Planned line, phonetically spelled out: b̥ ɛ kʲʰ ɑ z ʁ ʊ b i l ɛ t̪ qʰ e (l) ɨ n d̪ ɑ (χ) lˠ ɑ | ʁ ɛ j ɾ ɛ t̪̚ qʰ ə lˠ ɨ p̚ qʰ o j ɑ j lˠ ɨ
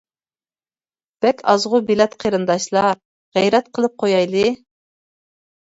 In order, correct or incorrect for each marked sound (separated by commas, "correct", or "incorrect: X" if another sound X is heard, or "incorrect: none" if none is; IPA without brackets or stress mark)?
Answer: incorrect: ɾ, incorrect: ʃ